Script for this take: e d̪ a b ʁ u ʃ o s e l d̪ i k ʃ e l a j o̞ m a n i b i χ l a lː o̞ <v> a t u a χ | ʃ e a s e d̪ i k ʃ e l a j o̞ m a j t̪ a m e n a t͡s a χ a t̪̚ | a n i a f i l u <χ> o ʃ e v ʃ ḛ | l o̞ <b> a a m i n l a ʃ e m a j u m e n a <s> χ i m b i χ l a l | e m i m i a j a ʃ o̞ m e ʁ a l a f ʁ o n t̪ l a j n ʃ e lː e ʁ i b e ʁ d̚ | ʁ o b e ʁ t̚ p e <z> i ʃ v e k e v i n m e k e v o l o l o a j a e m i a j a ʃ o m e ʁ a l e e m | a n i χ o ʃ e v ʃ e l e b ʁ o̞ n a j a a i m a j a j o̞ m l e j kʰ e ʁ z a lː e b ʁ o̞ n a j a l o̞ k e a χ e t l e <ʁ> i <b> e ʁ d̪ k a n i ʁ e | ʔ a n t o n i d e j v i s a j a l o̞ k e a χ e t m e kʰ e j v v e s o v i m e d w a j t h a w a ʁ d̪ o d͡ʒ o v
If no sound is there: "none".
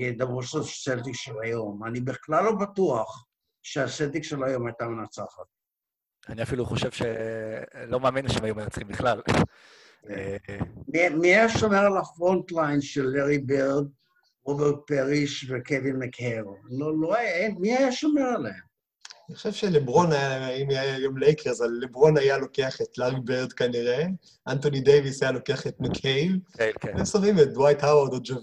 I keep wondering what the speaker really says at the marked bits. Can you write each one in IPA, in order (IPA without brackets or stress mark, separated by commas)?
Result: b, χ, m, t͡s, ʁ, ʁ, b